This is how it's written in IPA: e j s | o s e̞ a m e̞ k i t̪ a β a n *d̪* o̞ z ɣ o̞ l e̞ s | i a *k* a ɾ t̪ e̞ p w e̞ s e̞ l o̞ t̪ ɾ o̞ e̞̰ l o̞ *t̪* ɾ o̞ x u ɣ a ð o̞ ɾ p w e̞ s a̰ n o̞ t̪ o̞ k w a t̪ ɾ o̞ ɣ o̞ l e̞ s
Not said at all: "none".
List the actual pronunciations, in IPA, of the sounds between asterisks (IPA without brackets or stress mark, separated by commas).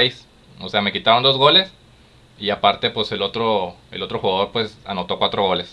d̪, p, t̪